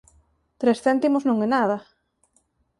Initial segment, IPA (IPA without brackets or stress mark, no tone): t̪